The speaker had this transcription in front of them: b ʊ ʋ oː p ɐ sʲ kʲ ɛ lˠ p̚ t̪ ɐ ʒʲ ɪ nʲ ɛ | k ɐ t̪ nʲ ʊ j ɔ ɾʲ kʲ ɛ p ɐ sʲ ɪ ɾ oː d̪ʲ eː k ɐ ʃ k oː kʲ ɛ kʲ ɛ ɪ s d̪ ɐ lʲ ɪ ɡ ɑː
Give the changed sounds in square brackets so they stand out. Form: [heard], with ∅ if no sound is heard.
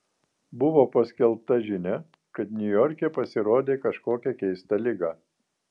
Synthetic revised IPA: b ʊ ʋ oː p ɐ sʲ kʲ ɛ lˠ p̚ t̪ ɐ ʒʲ ɪ nʲ ɛ | k ɐ t̪ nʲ ʊ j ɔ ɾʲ kʲ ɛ p ɐ sʲ ɪ ɾ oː d̪ʲ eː k ɐ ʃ k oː kʲ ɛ kʲ ɛ ɪ s [t̪] ɐ lʲ ɪ ɡ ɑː